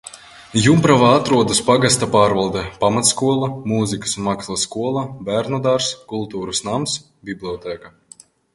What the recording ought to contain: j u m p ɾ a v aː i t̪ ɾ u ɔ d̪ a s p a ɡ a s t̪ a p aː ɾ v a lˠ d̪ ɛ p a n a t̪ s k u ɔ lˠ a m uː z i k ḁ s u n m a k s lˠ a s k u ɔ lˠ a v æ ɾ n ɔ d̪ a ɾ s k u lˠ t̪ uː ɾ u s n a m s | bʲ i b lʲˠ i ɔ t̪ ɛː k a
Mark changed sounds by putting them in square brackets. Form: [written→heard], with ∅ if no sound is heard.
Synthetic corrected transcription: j u m p ɾ a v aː [i→a] t̪ ɾ u ɔ d̪ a s p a ɡ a s t̪ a p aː ɾ v a lˠ d̪ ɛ p a [n→m] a t̪ s k u ɔ lˠ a m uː z i k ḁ s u n m a k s lˠ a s k u ɔ lˠ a [v→b] æ ɾ n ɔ d̪ a ɾ s k u lˠ t̪ uː ɾ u s n a m s | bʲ i b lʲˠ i ɔ t̪ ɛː k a